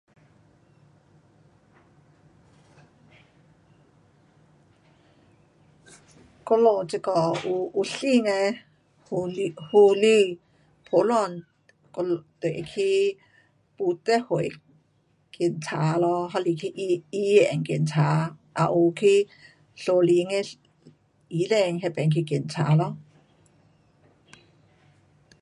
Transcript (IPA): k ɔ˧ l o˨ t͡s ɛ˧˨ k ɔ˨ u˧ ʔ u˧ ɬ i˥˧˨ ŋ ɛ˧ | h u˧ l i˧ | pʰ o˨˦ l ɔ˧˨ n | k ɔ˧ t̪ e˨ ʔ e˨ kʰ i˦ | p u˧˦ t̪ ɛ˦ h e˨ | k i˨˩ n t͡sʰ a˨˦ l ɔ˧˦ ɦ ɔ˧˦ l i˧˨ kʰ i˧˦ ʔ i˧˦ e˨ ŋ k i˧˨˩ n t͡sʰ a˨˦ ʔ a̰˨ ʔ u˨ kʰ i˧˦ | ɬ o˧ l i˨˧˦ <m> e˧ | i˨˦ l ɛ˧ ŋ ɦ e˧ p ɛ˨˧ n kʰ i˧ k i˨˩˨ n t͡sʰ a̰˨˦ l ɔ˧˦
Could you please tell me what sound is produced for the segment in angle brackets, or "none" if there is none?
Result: ŋ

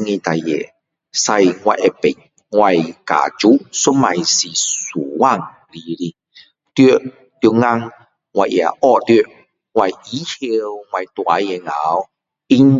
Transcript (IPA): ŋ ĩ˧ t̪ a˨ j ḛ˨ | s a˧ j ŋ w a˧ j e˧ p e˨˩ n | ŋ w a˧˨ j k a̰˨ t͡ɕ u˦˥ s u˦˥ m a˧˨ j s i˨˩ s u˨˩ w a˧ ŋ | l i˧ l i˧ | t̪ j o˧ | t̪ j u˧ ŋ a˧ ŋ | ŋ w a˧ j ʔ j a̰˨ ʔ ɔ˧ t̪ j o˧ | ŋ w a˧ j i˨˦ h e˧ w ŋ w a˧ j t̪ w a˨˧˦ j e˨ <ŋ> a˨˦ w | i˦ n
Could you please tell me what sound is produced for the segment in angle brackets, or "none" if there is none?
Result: ŋ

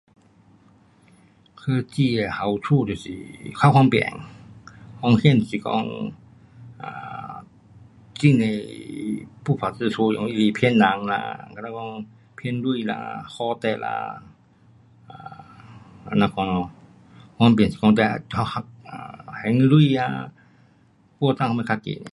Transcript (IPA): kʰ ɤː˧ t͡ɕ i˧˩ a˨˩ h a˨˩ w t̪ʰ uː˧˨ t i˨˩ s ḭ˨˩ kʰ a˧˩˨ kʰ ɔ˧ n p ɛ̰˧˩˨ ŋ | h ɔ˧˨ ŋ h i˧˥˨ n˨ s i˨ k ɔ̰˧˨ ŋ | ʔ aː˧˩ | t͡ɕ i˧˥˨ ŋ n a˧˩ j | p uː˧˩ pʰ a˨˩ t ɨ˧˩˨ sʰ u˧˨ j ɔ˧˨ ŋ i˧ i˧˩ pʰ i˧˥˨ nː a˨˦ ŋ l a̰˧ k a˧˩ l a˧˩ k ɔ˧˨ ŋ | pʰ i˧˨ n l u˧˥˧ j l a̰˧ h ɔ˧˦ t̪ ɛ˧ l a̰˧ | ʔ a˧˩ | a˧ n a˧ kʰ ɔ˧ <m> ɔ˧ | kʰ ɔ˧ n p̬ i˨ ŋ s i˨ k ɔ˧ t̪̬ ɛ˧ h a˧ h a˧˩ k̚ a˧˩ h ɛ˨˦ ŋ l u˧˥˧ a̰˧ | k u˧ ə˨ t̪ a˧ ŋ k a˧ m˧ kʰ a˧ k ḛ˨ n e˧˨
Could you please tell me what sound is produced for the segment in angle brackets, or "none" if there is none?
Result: n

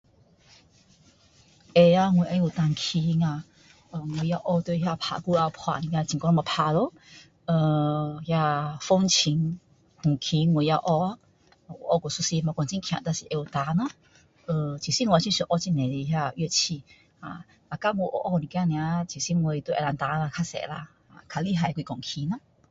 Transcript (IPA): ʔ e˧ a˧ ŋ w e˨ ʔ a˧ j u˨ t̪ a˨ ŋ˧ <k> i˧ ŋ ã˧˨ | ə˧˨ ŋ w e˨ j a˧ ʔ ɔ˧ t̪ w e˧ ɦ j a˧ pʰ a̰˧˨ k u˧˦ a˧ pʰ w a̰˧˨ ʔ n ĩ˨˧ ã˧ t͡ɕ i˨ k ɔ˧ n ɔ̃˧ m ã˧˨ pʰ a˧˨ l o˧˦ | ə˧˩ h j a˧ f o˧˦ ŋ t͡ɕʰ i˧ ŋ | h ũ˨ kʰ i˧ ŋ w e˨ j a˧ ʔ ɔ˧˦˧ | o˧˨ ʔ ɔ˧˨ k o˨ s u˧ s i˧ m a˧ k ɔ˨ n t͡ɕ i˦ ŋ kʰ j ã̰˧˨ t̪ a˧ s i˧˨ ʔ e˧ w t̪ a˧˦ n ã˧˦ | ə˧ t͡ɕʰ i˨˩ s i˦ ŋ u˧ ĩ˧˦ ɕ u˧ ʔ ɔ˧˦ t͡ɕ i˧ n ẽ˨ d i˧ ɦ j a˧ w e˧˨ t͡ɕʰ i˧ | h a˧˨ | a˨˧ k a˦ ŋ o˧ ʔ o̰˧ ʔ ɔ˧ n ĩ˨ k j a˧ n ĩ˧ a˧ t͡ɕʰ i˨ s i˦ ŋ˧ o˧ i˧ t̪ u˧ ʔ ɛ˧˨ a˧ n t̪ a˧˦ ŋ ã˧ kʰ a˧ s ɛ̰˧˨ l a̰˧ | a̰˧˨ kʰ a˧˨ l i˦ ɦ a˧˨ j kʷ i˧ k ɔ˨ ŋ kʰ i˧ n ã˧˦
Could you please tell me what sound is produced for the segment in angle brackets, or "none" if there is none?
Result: kʰ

